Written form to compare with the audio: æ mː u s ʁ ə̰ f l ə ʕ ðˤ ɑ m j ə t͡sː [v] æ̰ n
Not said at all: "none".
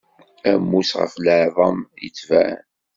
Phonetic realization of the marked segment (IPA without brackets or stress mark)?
v